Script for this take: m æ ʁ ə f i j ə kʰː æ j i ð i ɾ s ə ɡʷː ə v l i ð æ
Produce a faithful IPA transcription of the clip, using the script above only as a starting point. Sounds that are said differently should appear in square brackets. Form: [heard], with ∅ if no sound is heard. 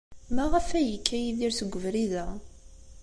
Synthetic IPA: m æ ʁ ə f [æ] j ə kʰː æ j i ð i ɾ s ə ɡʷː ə v [ɾ] i ð æ